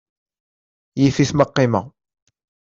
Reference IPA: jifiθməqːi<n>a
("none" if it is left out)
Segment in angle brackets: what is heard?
m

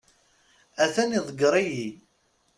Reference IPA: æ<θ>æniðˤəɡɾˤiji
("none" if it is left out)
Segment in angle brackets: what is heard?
θ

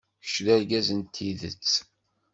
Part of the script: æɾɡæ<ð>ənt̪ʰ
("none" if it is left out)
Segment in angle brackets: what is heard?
z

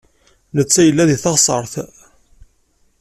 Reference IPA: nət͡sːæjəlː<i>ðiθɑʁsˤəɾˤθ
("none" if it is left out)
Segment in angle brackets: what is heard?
æ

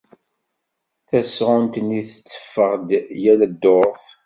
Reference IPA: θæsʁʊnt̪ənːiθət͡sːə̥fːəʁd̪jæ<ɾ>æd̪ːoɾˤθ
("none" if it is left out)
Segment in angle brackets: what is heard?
l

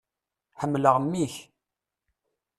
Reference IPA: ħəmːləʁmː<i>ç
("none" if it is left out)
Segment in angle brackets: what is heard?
i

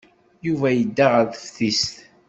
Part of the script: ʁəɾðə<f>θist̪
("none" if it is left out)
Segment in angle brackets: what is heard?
f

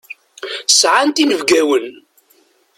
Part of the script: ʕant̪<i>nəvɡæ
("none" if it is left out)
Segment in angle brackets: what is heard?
i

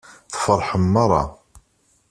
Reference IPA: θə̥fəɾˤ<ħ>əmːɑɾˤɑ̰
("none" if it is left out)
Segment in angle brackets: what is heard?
ħ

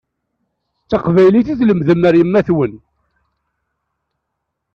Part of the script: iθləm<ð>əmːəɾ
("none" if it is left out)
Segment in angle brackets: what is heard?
ð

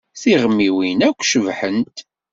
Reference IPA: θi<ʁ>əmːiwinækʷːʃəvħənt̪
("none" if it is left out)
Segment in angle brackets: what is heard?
ʁ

